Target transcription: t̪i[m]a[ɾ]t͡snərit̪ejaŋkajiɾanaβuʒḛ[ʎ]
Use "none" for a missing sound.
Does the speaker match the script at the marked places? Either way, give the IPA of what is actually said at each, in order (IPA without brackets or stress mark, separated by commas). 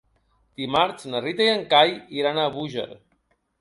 m, ɾ, ɾ